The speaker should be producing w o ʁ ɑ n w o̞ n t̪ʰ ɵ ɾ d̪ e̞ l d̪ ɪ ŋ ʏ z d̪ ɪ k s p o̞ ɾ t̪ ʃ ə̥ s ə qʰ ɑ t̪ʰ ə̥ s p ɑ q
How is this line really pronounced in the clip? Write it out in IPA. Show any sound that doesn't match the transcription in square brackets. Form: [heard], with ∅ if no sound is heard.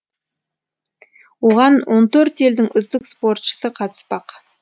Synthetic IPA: w o ʁ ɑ n w o̞ n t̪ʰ ɵ ɾ [t̪] e̞ l d̪ ɪ ŋ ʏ z d̪ ɪ k s p o̞ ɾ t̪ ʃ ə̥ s ə qʰ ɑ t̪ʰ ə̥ s p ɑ q